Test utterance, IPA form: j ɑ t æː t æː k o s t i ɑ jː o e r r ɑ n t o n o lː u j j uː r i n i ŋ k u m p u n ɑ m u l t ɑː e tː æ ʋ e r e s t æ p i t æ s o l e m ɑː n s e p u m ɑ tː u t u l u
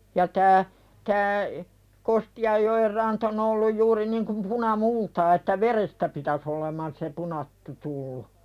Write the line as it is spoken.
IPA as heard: j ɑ t æː t æː k o s t i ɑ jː o e r r ɑ n t o n o lː u j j uː r i n i ŋ k u m p u n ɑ m u l t ɑː e tː æ ʋ e r e s t æ p i t æ s o l e m ɑ n s e p u n ɑ tː u t u lː u